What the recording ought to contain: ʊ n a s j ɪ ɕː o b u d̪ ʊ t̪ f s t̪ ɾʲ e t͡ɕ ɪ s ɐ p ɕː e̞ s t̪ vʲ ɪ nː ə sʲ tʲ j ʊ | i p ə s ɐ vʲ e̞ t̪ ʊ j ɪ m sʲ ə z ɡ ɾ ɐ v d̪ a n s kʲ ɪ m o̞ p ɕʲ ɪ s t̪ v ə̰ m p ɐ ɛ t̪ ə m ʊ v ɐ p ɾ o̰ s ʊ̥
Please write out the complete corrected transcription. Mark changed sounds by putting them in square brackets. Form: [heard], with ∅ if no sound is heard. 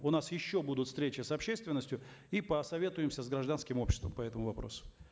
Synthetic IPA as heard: ʊ n a s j ɪ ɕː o b u d̪ ʊ t̪ f s t̪ ɾʲ e t͡ɕ ɪ s ɐ p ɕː e̞ s t̪ vʲ ɪ nː ə sʲ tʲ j ʊ | i p ə s ɐ vʲ e̞ t̪ ʊ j ɪ m sʲ ə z ɡ ɾ ɐ [ʐ] d̪ a n s kʲ ɪ m o̞ p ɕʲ ɪ s t̪ v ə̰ m p ɐ ɛ t̪ ə m ʊ v ɐ p ɾ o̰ s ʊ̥